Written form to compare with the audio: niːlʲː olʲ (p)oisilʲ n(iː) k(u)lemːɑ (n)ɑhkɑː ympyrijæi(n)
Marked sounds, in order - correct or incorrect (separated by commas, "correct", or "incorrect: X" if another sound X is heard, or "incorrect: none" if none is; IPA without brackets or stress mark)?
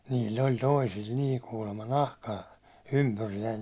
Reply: incorrect: t, correct, incorrect: uː, correct, correct